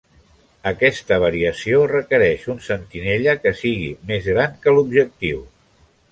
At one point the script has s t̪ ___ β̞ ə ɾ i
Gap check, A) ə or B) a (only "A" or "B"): A